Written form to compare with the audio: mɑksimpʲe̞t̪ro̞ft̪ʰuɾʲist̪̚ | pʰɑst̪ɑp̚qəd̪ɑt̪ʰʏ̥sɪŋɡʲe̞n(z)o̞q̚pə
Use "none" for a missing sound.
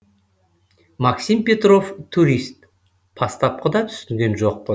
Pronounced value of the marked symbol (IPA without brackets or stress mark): ʒ